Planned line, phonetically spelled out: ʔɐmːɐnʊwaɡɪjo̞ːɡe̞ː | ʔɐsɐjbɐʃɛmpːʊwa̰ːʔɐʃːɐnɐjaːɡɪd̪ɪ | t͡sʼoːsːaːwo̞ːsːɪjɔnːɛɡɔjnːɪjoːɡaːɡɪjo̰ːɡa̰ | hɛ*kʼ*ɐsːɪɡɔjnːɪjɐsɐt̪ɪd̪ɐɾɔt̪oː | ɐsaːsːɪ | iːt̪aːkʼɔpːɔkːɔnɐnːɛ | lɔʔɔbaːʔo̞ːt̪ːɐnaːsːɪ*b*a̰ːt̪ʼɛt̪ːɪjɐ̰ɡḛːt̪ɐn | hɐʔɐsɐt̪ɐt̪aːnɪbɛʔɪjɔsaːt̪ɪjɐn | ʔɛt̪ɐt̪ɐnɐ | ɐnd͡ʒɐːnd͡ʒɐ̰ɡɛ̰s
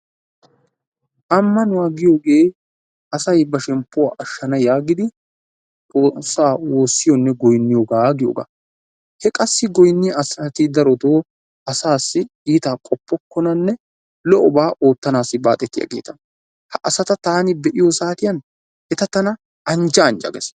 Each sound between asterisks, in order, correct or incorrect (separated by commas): correct, correct